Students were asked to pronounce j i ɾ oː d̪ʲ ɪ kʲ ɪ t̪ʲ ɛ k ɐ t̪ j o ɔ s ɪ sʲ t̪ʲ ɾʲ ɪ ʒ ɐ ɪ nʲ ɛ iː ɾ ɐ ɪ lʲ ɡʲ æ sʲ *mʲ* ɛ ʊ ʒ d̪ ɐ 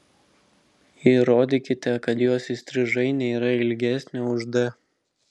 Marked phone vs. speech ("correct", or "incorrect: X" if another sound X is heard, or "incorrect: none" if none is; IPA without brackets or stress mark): incorrect: nʲ